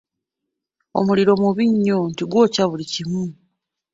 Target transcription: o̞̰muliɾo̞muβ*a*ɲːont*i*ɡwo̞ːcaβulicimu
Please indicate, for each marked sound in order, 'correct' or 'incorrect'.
incorrect, correct

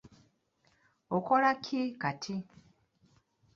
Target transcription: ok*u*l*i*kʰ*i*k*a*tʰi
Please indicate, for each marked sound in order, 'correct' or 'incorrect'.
incorrect, incorrect, correct, correct

